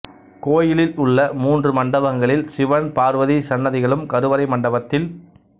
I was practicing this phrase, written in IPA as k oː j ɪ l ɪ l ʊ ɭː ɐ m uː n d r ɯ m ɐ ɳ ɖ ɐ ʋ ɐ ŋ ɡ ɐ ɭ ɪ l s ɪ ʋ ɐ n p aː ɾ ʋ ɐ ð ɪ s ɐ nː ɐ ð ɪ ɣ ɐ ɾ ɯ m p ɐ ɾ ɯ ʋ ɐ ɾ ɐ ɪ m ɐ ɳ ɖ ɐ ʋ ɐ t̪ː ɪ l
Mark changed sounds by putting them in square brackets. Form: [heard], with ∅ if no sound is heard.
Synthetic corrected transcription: k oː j ɪ l ɪ l ʊ ɭː ɐ m uː n d r ɯ m ɐ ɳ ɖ ɐ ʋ ɐ ŋ ɡ ɐ ɭ ɪ l s ɪ ʋ ɐ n p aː ɾ ʋ ɐ ð [i] s ɐ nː ɐ ð ɪ ɣ ɐ [ɭ] ɯ m [k] ɐ ɾ ɯ ʋ ɐ ɾ ɐ ɪ m ɐ ɳ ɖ ɐ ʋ ɐ t̪ː ɪ l